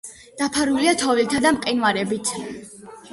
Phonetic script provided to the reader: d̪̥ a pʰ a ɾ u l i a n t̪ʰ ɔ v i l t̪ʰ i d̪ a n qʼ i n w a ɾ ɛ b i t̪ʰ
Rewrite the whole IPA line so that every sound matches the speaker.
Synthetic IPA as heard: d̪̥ a pʰ a ɾ u l i a t̪ʰ ɔ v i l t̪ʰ a d̪ a m qʼ i n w a ɾ ɛ b i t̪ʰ